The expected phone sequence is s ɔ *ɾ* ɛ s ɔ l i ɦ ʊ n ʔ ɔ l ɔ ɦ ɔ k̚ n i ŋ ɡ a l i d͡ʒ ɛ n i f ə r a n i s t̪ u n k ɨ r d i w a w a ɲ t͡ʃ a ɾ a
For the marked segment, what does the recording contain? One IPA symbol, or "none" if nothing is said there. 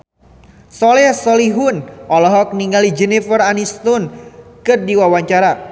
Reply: l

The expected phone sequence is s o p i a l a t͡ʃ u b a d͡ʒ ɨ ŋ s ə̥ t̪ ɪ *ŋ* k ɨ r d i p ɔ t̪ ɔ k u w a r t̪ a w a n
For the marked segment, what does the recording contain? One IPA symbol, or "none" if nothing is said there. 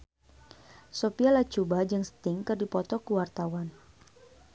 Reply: ŋ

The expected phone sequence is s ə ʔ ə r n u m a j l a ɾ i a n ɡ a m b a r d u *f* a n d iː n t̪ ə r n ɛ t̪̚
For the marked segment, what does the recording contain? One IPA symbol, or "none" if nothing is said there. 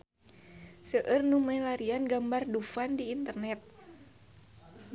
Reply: f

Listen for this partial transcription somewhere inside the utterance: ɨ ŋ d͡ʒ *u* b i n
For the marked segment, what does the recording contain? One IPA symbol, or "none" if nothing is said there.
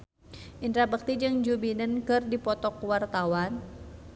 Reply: u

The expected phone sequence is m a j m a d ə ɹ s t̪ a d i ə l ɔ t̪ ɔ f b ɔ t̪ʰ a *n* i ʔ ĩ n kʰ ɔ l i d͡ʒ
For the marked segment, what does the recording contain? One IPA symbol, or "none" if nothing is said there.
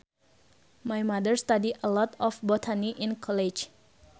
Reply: n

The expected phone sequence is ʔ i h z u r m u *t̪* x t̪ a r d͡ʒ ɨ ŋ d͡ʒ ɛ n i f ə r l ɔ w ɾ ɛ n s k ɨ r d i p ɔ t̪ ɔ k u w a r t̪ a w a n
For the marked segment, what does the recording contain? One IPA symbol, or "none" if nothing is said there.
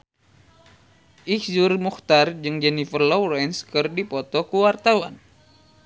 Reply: none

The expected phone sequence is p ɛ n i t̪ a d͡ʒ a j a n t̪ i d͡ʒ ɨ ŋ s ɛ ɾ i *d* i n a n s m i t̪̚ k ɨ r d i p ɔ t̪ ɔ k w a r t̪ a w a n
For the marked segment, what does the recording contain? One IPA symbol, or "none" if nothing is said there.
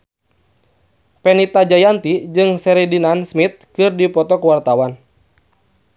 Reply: d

